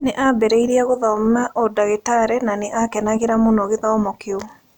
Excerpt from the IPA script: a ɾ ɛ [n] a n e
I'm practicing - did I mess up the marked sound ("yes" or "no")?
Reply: no